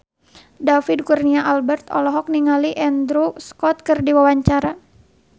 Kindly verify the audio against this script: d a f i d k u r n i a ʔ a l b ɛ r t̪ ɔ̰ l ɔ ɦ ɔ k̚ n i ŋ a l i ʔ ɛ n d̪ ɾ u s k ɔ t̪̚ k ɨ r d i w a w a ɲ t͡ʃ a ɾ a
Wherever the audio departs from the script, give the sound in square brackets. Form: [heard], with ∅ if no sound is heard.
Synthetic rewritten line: d a f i d k u r n i a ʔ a l b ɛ r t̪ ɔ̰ l ɔ ɦ ɔ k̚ n i ŋ a l i ʔ ɛ n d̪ ɾ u s k ɔ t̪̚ k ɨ r d i w a w a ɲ t͡ʃ a ɾ a